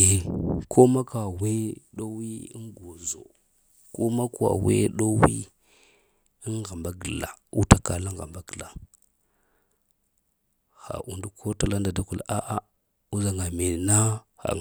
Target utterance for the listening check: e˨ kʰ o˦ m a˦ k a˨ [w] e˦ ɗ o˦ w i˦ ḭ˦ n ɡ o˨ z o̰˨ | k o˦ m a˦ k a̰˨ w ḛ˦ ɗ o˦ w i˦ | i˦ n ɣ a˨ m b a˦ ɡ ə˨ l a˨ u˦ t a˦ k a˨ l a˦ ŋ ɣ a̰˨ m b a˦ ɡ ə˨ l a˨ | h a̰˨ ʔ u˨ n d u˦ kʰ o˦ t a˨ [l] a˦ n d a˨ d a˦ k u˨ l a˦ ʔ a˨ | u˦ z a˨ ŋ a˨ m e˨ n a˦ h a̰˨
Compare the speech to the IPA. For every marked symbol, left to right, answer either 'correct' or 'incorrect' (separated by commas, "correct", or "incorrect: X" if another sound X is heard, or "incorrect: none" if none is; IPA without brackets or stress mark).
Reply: correct, correct